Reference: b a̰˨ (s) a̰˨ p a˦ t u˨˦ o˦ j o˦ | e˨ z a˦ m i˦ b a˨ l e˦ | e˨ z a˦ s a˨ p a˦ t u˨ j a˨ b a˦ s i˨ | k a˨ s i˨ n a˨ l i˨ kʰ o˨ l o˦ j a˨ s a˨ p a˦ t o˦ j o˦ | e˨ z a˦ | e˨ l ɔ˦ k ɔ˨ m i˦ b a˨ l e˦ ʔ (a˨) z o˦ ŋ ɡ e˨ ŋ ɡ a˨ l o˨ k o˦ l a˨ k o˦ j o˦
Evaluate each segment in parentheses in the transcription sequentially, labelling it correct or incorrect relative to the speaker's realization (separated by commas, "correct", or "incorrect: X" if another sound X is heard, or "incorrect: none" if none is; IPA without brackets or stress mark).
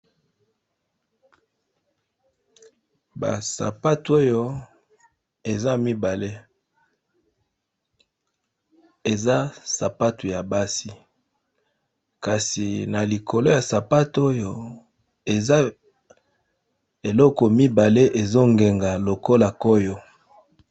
correct, incorrect: e˨